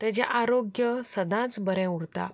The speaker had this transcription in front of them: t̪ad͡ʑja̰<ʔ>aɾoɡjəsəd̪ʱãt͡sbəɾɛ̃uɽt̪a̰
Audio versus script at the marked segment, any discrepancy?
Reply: no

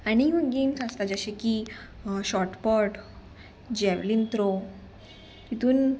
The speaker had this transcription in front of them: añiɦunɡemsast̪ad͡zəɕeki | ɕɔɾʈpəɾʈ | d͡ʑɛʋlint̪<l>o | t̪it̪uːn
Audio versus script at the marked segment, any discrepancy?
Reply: yes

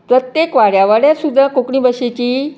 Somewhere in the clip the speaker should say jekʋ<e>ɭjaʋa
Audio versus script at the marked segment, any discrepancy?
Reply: yes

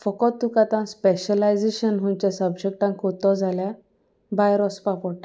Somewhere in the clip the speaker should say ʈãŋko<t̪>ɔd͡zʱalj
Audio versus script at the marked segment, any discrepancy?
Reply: no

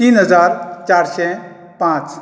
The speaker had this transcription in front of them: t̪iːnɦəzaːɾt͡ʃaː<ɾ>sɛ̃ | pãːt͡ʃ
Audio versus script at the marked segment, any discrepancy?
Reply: no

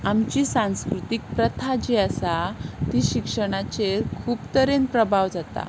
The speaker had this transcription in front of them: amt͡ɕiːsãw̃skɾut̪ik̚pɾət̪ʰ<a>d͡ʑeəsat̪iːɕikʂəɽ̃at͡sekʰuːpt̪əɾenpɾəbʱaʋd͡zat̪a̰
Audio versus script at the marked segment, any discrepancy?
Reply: no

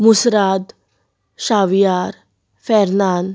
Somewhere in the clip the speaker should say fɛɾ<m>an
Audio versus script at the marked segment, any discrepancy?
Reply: yes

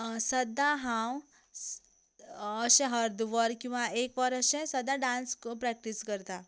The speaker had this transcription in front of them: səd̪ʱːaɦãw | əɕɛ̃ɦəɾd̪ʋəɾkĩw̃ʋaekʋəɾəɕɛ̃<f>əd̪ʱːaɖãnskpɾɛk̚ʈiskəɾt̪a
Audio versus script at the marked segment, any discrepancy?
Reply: yes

